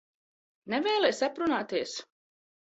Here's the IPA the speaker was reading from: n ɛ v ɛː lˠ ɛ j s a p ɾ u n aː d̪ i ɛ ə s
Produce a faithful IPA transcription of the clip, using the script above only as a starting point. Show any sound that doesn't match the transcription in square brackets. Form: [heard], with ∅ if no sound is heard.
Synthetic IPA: n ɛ v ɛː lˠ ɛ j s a p ɾ u n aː [t̪] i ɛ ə s